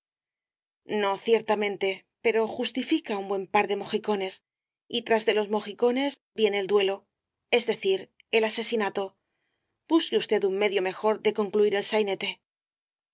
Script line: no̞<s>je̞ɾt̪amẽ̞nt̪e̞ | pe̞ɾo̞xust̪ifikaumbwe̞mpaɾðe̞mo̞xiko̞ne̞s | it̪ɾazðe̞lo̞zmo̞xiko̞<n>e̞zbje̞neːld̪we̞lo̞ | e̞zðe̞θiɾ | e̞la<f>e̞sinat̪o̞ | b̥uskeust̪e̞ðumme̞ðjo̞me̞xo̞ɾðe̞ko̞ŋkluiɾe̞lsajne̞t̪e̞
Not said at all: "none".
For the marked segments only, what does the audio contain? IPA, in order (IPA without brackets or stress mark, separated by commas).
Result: θ, n, s